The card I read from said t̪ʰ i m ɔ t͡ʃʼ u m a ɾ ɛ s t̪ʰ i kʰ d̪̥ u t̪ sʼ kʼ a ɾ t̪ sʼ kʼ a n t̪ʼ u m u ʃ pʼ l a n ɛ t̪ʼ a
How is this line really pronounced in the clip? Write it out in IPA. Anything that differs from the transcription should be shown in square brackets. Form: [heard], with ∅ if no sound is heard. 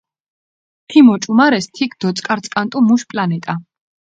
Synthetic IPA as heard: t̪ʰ i m ɔ t͡ʃʼ u m a ɾ ɛ s t̪ʰ i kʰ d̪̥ [ɔ] t̪ sʼ kʼ a ɾ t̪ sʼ kʼ a n t̪ʼ u m u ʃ pʼ l a n ɛ t̪ʼ a